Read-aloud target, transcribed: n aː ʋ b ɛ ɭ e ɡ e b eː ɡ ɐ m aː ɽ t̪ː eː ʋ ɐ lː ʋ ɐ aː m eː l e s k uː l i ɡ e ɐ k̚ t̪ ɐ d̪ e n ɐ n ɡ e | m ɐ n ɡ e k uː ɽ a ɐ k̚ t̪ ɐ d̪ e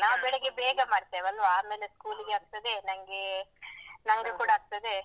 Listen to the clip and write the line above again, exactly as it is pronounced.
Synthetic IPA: n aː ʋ b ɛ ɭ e ɡ e b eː ɡ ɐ m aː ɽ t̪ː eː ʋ ɐ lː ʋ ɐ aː m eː l e s k uː l i ɡ e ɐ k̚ t̪ ɐ d̪ e n ɐ ŋ ɡ e | n ɐ ŋ ɡ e k uː ɽ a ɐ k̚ t̪ ɐ d̪ e